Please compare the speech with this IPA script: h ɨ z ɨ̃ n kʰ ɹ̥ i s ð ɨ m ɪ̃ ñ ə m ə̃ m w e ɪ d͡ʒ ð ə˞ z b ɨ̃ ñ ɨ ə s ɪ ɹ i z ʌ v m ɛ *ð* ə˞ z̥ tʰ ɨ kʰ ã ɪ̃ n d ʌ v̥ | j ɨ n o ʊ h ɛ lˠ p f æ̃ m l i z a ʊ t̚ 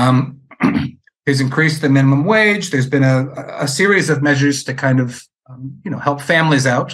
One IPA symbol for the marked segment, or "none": ʒ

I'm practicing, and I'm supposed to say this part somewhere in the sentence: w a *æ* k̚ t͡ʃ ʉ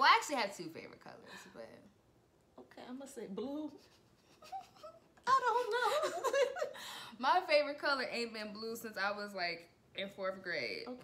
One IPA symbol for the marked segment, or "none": æ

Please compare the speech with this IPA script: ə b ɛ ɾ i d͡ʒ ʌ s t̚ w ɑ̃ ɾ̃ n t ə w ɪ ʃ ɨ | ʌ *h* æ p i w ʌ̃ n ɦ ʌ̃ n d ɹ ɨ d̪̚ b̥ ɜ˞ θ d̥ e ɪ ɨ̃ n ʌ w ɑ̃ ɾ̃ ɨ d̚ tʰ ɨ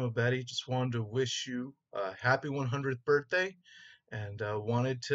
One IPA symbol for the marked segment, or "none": h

